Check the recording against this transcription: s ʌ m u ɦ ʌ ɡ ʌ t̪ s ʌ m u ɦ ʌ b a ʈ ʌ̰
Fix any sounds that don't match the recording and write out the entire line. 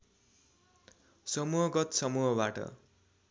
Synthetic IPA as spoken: s ʌ m u ɦ ʌ ɡ ʌ t̪ s ʌ m u ɦ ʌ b a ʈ ʌ̰